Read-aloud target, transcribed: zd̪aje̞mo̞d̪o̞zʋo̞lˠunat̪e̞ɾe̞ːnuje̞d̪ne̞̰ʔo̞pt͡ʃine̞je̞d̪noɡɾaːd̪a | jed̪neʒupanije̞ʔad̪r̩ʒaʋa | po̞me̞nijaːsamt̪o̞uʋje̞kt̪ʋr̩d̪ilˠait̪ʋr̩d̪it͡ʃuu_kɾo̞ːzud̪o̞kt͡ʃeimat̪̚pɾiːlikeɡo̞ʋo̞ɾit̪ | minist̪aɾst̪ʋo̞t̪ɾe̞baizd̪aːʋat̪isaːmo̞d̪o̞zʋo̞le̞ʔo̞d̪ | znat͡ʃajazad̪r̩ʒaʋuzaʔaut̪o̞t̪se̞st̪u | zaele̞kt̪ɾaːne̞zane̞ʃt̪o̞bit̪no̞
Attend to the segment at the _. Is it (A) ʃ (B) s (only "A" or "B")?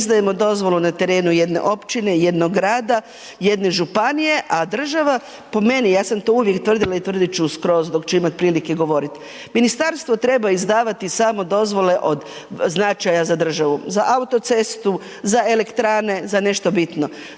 B